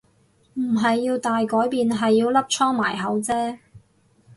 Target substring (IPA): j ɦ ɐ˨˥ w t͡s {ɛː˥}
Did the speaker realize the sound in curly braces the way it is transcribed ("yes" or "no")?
yes